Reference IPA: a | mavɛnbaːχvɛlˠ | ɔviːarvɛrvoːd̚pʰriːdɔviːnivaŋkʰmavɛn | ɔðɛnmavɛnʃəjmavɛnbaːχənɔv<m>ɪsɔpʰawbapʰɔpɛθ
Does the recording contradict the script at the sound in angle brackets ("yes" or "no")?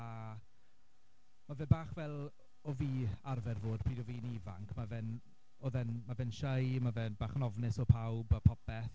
yes